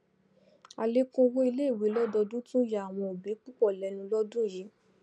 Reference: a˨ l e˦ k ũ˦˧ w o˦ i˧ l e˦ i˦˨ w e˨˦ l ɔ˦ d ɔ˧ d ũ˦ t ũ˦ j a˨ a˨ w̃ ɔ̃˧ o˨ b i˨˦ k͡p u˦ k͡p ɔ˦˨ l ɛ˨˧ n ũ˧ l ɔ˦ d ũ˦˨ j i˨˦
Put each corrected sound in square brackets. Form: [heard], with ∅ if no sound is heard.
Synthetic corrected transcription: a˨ l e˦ k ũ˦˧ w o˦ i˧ l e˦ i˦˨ w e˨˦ l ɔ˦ d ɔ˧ d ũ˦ t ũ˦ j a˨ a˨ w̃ ɔ̃˧ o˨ b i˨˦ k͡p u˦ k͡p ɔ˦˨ l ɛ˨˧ n ũ˧ l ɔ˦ d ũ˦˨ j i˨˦